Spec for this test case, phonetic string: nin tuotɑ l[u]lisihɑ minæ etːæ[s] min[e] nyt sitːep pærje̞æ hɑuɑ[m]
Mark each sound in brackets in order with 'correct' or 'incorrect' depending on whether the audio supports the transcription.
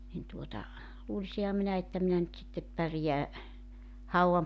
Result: incorrect, incorrect, incorrect, correct

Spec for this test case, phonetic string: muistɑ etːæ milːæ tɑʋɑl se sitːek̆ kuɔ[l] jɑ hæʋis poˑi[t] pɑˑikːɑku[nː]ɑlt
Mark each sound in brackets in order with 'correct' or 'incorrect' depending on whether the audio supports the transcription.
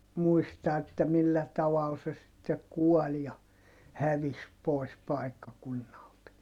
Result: correct, incorrect, correct

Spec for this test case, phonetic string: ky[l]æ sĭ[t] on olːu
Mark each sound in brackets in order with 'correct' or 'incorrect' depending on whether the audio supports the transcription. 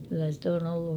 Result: incorrect, correct

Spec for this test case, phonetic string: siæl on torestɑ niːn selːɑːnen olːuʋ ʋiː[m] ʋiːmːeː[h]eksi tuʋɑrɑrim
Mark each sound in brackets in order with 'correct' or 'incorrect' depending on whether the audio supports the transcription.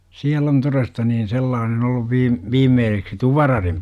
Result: correct, incorrect

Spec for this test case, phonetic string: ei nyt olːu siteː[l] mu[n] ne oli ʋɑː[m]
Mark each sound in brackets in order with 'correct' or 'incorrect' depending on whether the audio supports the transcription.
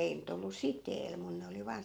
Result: correct, correct, incorrect

